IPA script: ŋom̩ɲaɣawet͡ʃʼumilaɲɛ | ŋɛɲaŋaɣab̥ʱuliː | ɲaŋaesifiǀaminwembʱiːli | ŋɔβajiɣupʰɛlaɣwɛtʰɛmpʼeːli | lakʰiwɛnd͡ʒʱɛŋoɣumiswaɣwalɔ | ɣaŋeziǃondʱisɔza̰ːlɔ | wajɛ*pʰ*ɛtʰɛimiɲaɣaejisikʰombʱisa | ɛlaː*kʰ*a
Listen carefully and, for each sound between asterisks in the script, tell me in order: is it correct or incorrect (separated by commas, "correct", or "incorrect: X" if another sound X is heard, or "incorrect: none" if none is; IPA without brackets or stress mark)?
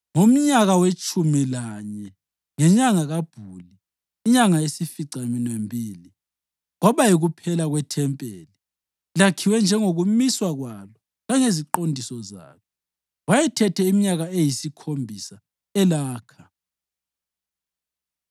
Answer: incorrect: tʰ, correct